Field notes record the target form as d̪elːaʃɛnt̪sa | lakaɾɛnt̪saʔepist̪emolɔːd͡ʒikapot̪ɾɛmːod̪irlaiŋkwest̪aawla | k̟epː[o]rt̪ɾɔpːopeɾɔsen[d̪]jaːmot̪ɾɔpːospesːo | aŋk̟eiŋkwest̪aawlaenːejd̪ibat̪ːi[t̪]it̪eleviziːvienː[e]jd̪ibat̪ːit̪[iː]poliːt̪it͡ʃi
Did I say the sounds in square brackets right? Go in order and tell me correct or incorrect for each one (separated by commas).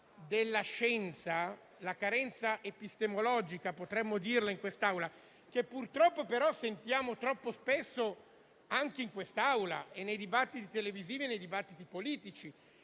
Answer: incorrect, incorrect, correct, correct, incorrect